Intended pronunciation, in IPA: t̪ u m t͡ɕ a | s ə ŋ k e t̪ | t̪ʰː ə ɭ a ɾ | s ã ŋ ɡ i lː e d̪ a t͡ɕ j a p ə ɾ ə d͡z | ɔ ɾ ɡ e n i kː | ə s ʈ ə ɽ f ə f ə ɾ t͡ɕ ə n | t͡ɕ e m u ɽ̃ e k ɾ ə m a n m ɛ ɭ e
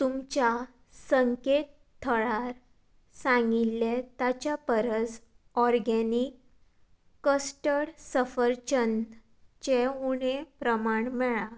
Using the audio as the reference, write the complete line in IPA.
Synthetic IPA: t̪ u m t͡ɕ a | s ə ŋ k e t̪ | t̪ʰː ə ɭ a ɾ | s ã ŋ ɡ i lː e t̪ a t͡ɕ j a p ə ɾ ə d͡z | ɔ ɾ ɡ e n i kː | ə s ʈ ə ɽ s ə f ə ɾ t͡ɕ ə n | t͡ɕ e u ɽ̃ e p ɾ ə m a ɳ m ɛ ɭ a

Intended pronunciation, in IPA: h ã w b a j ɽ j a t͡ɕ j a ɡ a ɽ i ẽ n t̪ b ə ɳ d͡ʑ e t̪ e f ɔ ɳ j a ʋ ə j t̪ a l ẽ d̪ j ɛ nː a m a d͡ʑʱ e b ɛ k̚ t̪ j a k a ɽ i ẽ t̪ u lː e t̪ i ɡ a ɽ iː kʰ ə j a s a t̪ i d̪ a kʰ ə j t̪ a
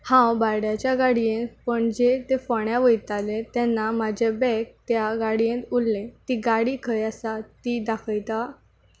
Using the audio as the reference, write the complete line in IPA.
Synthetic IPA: h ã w b a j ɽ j a t͡ɕ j a ɡ a ɽ i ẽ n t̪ p ə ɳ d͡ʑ e t̪ e f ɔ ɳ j a ʋ ə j t̪ a l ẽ t̪ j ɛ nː a m a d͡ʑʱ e b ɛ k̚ t̪ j a ɡ a ɽ i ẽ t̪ u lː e t̪ i ɡ a ɽ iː kʰ ə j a s a t̪ i d̪ a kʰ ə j t̪ a

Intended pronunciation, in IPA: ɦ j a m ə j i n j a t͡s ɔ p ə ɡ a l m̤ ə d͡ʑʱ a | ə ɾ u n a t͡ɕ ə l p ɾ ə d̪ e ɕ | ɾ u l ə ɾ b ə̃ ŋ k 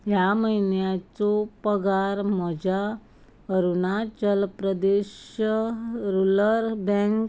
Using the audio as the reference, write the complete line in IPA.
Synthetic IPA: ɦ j a m ə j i n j a t͡s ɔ p ə ɡ a ɾ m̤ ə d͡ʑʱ a | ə ɾ u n a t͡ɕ ə l p ɾ ə d̪ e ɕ | ɾ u l ə ɾ b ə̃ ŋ k

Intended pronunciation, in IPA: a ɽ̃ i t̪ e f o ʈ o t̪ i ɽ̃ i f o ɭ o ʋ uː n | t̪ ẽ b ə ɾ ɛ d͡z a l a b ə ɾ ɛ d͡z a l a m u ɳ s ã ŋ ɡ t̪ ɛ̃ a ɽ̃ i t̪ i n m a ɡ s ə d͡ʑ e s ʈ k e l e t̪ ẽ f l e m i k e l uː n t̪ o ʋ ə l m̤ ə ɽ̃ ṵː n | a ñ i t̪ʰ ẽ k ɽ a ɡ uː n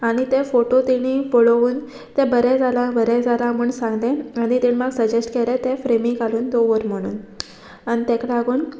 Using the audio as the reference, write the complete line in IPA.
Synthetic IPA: a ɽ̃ i t̪ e f o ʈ o t̪ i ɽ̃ i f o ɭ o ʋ uː n | t̪ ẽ b ə ɾ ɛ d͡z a l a b ə ɾ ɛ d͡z a l a m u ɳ s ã ŋ ɡ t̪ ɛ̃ a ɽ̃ i t̪ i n m a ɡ s ə d͡ʑ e s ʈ k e l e t̪ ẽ f ɾ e m i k a l uː n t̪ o ʋ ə ɾ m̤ ə ɽ̃ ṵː n | a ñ i t̪ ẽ k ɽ a ɡ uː n

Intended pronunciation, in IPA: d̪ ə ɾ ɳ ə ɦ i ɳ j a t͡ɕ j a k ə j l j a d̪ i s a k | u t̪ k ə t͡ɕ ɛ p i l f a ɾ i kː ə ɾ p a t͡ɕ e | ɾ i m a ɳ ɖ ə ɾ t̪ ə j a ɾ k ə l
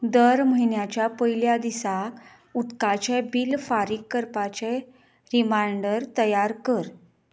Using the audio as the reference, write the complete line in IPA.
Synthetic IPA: d̪ ə ɾ m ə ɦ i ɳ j a t͡ɕ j a p ə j l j a d̪ i s a k | u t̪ k a t͡ɕ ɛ b i l f a ɾ i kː ə ɾ p a t͡ɕ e | ɾ i m a ɳ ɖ ə ɾ t̪ ə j a ɾ k ə ɾ

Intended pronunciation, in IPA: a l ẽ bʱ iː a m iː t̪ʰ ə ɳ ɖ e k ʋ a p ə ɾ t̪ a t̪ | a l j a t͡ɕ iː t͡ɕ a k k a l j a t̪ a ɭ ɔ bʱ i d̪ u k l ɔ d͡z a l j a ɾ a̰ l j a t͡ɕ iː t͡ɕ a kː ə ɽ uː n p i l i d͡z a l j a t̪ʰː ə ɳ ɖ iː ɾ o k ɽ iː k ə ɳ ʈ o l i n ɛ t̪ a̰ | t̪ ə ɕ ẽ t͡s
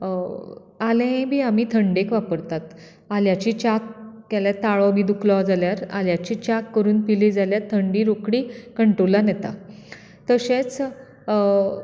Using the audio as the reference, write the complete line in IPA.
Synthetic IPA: a l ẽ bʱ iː a m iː t̪ʰ ə ɳ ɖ e k ʋ a p ə ɾ t̪ a t̪ | a l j a t͡ɕ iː t͡ɕ a k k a l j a t̪ a ɭ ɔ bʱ i d̪ u k l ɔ d͡z a l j a ɾ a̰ l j a t͡ɕ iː t͡ɕ a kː ə ɾ uː n p i l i d͡z a l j a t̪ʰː ə ɳ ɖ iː ɾ o k ɽ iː k ə ɳ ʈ o l a n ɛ t̪ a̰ | t̪ ə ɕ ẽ t͡s

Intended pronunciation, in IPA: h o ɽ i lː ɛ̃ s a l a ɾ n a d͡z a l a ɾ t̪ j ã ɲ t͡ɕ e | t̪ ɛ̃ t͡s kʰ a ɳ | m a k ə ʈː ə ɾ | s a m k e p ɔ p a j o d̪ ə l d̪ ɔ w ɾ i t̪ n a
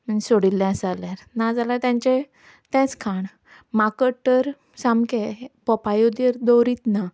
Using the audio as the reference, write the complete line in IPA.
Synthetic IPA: s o ɽ i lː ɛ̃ s a l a ɾ n a d͡z a l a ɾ t̪ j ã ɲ t͡ɕ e | t̪ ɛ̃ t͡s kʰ a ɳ | m a k ə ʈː ə ɾ | s a m k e p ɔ p a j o d̪ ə ɾ d̪ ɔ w ɾ i t̪ n a

